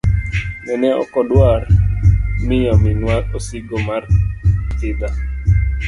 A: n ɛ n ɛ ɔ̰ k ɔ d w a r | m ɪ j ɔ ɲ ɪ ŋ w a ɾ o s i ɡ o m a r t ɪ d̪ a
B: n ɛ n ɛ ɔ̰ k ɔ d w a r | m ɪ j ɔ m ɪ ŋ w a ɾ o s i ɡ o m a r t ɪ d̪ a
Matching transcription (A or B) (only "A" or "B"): B